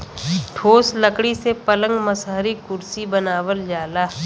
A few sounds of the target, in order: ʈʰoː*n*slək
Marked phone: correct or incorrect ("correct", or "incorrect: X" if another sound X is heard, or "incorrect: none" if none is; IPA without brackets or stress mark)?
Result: incorrect: none